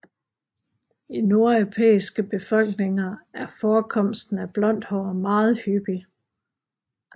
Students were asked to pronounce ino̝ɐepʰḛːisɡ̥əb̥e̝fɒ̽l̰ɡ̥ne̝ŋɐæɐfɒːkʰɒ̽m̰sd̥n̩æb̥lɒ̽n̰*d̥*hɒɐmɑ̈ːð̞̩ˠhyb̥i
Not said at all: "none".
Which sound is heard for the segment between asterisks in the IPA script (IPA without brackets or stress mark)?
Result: d̥